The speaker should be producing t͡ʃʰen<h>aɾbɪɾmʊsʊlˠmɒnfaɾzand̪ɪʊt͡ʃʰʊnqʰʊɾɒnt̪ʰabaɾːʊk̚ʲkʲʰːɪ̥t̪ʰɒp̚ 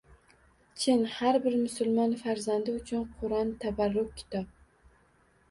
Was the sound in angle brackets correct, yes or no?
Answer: yes